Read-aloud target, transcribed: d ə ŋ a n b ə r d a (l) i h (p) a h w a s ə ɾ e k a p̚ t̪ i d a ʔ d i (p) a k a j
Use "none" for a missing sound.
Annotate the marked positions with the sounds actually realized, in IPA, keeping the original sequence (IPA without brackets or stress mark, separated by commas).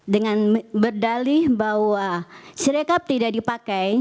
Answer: l, b, p